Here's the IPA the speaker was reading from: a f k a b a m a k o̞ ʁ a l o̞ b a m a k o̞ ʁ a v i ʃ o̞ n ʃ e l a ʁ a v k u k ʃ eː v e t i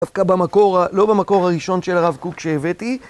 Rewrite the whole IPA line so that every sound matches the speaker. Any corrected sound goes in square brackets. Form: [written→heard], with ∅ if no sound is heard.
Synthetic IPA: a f k a b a m a k o̞ ʁ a l o̞ b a m a k o̞ ʁ a [v→ʁ] i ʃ o̞ n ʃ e l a ʁ a v k u k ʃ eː v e t i